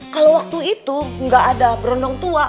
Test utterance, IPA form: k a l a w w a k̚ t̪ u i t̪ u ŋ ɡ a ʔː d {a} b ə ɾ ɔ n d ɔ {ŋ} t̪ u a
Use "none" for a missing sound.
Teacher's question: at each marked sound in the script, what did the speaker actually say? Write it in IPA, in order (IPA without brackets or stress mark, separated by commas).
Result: a, ŋ